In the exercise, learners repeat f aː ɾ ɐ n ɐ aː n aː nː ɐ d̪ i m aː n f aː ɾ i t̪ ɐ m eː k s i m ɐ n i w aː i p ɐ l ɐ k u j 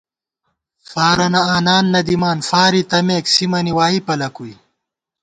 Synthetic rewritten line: f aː ɾ ɐ n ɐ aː n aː nː ɐ d̪ i m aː n f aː ɾ i t̪ ɐ m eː k s i m ɐ n i w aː i p ɐ l ɐ k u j